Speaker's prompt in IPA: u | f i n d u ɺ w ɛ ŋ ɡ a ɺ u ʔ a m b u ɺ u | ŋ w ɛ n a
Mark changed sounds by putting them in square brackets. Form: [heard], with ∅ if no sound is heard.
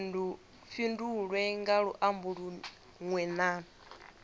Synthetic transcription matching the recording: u | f i n d u ɺ w ɛ ŋ ɡ a ɺ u ʔ a m b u ɺ u | ŋ w ɛ n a